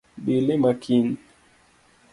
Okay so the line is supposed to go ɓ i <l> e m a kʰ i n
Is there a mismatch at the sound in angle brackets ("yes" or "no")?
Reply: no